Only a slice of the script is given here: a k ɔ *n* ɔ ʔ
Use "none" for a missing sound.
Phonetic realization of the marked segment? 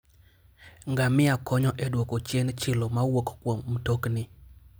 ɲ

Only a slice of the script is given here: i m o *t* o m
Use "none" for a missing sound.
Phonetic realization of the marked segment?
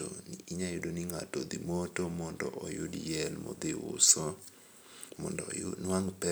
t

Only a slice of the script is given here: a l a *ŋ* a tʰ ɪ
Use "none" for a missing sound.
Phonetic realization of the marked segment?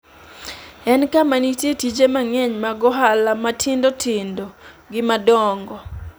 m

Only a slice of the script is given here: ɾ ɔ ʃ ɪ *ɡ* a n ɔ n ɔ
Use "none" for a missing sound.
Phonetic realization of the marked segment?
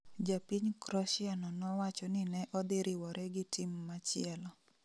none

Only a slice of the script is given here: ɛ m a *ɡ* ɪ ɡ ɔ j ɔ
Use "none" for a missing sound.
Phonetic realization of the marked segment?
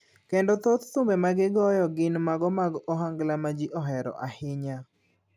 ɡ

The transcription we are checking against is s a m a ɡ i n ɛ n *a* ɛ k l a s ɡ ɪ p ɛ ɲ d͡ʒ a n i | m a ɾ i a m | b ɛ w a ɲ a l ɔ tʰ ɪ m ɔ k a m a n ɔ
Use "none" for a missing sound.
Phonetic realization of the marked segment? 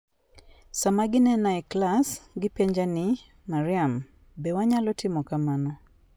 a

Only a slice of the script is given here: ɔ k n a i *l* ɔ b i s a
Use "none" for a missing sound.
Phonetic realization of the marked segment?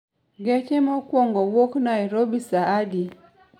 ɾ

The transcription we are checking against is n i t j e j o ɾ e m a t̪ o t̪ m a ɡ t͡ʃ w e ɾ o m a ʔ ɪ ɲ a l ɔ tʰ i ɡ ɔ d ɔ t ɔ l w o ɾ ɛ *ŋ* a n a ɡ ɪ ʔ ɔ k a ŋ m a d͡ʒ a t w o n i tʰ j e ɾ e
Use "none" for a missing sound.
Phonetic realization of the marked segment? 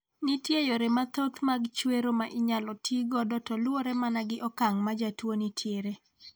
m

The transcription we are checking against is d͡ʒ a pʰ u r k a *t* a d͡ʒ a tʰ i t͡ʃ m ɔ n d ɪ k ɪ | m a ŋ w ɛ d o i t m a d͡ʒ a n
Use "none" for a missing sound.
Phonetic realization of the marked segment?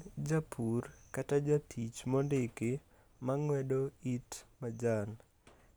t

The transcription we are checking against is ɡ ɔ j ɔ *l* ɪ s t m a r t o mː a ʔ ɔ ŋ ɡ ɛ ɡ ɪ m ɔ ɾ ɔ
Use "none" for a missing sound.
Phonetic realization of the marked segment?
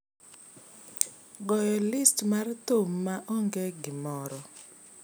l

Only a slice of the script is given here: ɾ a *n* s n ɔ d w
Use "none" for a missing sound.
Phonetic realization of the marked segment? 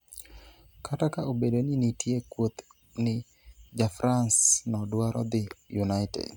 n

